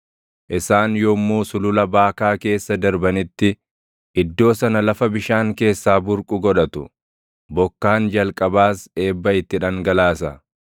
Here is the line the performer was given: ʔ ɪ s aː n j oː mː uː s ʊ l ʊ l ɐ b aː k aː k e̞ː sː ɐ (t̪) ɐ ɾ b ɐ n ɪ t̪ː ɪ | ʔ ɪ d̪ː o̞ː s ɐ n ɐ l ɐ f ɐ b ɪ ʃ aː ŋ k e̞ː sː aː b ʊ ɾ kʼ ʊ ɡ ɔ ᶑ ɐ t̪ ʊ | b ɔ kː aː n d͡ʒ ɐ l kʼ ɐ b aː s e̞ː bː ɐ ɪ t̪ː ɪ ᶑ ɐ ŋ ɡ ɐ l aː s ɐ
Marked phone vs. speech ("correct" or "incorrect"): incorrect